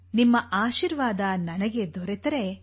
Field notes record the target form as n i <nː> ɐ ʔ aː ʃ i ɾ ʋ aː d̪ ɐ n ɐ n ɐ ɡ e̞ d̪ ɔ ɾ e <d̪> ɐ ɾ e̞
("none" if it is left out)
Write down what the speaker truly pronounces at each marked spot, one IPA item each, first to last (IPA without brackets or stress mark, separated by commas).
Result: mː, t̪